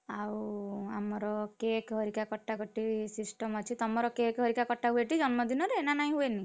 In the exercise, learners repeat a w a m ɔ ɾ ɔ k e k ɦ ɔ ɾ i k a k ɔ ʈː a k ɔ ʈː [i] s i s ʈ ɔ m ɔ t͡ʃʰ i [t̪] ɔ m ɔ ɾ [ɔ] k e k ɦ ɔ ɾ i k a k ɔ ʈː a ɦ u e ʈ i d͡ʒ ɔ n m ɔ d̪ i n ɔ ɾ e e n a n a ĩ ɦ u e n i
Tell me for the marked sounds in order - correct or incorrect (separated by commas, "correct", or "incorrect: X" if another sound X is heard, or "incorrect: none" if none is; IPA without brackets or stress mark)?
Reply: correct, correct, correct